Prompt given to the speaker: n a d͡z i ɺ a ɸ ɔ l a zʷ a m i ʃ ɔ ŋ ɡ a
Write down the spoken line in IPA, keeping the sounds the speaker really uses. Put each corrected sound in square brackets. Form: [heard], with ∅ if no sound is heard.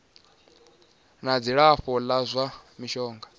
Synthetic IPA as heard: n a d͡z i ɺ a ɸ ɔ l a zʷ a m i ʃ [ɔː] ŋ ɡ a

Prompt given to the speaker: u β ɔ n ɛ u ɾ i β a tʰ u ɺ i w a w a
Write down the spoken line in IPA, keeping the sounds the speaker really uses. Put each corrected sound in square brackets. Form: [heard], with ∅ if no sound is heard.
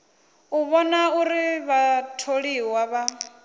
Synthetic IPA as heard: u β ɔ n [a] u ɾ i β a tʰ [o] ɺ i w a [β] a

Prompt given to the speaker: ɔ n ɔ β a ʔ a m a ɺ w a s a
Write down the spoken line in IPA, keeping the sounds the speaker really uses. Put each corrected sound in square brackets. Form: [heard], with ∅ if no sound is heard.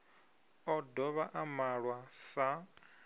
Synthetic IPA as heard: ɔ [d] ɔ β a ʔ a m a ɺ w a s a

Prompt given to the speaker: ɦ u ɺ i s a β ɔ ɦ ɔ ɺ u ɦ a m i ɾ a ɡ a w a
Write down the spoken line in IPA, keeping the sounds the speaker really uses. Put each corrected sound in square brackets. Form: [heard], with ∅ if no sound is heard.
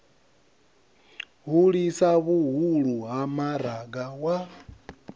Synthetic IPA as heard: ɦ u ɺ i s a β [u] ɦ [u] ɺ u ɦ a m [a] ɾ a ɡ a w a

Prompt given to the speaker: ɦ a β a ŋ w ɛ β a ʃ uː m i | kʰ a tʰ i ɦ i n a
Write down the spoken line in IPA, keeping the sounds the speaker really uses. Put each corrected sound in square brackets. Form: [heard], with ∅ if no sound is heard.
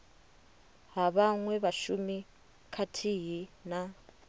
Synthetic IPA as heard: ɦ a β a ŋ w ɛ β a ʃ [u] m i | kʰ a tʰ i ɦ i n a

